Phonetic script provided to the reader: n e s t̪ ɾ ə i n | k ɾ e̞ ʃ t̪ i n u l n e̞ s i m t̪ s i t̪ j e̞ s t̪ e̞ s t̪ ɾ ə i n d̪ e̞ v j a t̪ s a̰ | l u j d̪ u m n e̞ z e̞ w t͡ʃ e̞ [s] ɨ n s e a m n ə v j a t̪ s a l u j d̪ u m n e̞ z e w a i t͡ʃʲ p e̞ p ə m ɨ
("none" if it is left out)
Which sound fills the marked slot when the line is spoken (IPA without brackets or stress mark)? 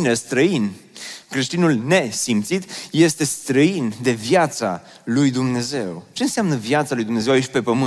none